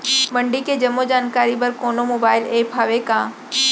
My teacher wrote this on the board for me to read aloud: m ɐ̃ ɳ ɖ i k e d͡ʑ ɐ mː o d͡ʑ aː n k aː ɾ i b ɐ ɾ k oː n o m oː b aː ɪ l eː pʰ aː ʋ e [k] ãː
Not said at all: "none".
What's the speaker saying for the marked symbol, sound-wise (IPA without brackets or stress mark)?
k